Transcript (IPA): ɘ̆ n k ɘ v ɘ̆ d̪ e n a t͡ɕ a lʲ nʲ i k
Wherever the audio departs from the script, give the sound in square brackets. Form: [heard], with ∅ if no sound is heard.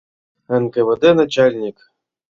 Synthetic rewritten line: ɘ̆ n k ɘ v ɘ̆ d̪ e n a t͡ɕ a lʲ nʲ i k